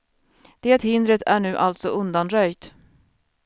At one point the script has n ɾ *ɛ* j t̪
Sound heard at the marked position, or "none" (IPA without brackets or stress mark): œ